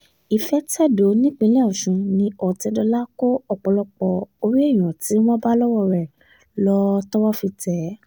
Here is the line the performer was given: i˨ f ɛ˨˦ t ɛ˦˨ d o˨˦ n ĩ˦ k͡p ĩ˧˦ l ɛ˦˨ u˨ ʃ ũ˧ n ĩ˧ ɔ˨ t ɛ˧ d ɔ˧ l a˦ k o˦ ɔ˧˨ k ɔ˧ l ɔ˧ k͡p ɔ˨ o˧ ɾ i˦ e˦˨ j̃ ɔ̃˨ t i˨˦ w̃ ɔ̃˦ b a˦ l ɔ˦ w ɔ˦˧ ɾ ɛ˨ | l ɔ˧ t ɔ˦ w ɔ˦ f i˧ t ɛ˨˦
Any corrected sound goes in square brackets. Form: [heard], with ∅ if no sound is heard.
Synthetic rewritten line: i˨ f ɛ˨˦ t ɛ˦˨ d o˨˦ n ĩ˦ k͡p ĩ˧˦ l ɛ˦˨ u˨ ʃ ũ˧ n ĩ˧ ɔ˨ t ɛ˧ d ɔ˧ l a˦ k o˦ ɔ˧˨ [k͡p] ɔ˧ l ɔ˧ k͡p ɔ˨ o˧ ɾ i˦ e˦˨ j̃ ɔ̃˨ t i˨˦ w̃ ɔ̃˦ b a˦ l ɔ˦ w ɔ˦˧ ɾ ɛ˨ | l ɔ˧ t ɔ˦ w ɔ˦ f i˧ t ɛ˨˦